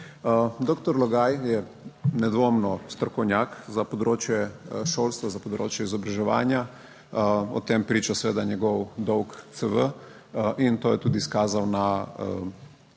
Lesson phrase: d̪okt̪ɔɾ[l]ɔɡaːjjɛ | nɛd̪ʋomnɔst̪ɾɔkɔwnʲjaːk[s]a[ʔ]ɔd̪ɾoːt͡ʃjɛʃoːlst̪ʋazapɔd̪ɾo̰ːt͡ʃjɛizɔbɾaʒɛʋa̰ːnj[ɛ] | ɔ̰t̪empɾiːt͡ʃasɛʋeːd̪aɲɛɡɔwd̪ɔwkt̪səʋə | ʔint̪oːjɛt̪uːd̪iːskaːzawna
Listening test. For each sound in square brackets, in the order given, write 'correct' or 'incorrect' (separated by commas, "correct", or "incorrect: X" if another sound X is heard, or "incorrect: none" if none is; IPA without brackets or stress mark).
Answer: correct, incorrect: z, incorrect: p, incorrect: a